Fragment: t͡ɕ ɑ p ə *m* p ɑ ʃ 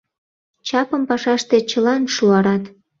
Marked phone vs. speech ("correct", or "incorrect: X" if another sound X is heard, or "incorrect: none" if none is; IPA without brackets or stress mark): correct